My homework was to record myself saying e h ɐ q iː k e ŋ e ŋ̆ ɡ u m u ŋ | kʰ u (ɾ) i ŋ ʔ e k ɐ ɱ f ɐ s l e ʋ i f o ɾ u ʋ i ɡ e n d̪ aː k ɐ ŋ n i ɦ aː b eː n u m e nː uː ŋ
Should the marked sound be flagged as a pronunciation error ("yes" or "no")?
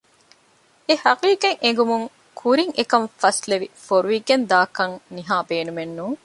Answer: no